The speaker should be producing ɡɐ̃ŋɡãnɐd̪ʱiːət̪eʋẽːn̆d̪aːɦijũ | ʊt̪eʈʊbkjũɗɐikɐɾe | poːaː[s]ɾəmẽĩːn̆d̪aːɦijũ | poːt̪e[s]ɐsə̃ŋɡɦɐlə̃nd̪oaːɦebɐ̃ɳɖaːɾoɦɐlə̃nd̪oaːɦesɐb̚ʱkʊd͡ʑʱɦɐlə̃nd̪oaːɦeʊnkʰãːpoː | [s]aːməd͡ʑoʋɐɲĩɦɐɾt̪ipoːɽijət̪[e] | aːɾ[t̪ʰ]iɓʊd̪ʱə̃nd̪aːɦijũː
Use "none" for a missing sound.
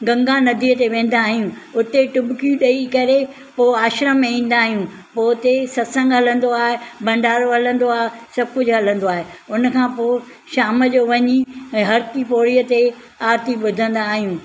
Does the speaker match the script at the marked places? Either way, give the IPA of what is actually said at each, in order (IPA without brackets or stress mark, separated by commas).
ʃ, s, ʃ, e, t̪